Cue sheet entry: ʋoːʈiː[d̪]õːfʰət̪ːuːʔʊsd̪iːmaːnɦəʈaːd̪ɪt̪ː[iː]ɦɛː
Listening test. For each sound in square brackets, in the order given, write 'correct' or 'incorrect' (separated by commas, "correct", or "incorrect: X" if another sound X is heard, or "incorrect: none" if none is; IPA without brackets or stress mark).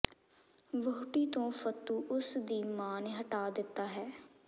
incorrect: t̪, incorrect: aː